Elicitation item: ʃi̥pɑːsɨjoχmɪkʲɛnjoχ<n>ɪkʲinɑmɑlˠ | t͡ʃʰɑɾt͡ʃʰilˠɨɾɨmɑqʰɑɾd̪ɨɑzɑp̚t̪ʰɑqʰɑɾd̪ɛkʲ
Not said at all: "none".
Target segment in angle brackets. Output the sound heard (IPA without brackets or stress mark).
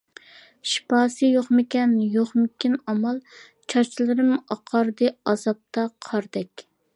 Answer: m